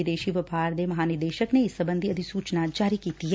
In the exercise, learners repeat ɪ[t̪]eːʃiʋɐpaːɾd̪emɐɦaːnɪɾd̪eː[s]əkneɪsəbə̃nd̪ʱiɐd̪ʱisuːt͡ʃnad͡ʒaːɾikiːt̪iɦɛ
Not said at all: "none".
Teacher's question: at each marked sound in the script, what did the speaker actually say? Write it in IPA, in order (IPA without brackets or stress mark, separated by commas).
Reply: d̪, ʃ